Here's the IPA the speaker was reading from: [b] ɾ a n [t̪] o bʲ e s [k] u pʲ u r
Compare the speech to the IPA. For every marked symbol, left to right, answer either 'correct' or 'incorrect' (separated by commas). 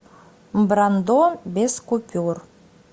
correct, incorrect, correct